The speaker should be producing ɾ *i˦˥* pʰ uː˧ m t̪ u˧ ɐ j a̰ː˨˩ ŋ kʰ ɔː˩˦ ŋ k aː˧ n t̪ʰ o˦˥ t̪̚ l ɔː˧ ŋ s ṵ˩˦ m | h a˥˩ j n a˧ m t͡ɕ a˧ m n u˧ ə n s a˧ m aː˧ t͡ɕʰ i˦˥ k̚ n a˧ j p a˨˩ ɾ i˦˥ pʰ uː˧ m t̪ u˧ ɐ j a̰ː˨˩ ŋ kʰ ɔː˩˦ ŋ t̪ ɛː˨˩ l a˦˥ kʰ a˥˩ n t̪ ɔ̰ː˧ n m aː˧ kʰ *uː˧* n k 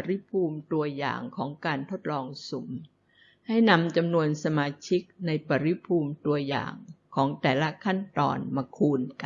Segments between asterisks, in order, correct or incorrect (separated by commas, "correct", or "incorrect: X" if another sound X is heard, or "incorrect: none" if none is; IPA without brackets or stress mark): correct, correct